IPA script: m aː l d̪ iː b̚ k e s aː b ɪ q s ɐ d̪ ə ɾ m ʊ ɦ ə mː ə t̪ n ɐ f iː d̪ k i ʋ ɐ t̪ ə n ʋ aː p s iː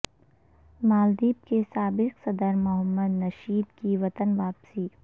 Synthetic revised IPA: m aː l d̪ iː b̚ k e s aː b ɪ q s ɐ d̪ ə ɾ m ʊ ɦ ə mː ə d̪ n ɐ ʃ iː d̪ k i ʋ ɐ t̪ ə n ʋ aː p s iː